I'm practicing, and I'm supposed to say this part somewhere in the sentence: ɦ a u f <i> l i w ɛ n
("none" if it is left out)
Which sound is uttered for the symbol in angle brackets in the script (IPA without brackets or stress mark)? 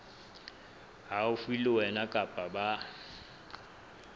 i